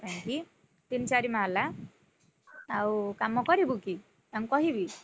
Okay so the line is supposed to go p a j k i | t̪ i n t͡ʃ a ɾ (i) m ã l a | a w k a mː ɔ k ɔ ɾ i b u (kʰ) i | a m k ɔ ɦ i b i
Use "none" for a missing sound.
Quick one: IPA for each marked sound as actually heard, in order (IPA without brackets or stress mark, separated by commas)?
i, k